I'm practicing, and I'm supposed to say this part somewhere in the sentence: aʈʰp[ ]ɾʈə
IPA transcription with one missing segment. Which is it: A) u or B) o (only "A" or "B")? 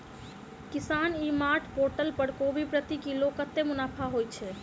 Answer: B